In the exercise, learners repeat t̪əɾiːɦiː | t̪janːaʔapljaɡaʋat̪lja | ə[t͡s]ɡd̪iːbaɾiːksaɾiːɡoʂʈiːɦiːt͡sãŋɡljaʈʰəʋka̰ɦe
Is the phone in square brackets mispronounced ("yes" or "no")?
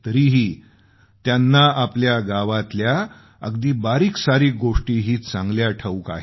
yes